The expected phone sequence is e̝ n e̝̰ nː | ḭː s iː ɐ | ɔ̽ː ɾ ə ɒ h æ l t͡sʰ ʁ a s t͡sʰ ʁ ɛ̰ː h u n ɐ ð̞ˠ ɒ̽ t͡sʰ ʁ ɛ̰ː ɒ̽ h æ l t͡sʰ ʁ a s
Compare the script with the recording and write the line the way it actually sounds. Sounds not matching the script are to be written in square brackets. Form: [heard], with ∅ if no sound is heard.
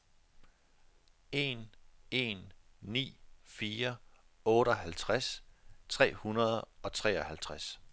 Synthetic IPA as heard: e̝ n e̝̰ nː | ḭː [f] iː ɐ | ɔ̽ː ɾ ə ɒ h æ l t͡sʰ ʁ a s t͡sʰ ʁ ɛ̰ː h u n ɐ ð̞ˠ ɒ̽ t͡sʰ ʁ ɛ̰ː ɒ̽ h æ l t͡sʰ ʁ a s